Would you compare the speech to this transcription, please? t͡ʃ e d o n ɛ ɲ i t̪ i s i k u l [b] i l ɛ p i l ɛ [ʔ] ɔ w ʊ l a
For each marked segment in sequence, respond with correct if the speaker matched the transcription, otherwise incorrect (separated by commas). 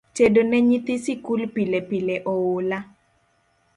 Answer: incorrect, correct